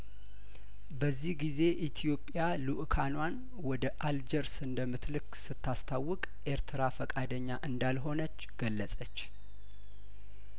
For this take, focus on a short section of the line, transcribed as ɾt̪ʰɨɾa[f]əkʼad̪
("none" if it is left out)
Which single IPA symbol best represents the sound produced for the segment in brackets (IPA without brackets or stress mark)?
f